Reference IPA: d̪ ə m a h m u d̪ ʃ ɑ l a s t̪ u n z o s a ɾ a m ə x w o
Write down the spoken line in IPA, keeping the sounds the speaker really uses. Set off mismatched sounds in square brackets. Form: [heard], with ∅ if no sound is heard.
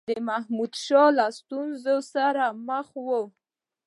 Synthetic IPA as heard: d̪ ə m a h m u d̪ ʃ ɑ l a s t̪ u n z o s a ɾ a m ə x w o